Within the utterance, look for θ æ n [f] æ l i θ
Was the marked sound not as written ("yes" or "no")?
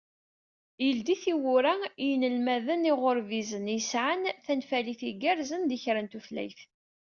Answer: no